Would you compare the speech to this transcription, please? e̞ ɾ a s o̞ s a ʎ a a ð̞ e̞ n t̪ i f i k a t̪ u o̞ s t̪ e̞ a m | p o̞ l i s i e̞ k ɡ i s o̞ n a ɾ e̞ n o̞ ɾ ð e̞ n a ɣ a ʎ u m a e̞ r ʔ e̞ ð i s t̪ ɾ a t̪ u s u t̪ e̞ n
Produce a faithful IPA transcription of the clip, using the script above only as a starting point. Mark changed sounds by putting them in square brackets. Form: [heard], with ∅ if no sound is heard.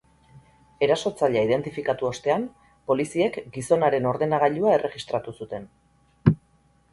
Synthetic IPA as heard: e̞ ɾ a s o̞ [t͡s] a ʎ a [i] ð̞ e̞ n t̪ i f i k a t̪ u o̞ s t̪ e̞ a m | p o̞ l i s i e̞ k ɡ i s o̞ n a ɾ e̞ n o̞ ɾ ð e̞ n a ɣ a ʎ u [∅] a e̞ r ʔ e̞ [ɣ] i s t̪ ɾ a t̪ u s u t̪ e̞ n